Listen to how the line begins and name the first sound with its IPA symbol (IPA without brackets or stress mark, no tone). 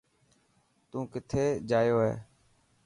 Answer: t̪